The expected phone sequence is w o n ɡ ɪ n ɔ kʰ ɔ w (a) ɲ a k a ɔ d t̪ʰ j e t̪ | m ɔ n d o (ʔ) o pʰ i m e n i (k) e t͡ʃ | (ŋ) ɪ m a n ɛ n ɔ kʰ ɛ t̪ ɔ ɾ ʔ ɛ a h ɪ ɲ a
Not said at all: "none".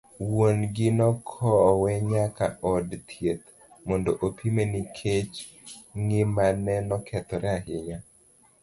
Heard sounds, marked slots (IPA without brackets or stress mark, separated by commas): ɛ, ʔ, kʰ, ŋ